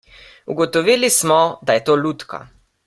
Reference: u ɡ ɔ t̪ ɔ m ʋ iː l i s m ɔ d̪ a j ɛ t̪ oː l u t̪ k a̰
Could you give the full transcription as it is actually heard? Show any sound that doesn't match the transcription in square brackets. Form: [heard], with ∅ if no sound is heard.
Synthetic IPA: u ɡ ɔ t̪ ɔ [∅] ʋ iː l i s m ɔ d̪ a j ɛ t̪ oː l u t̪ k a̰